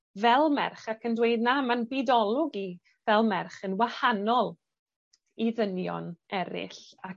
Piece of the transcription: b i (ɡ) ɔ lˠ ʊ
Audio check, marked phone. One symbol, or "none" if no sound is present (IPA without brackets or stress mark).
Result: d